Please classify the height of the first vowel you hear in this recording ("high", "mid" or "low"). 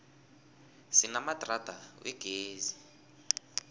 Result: high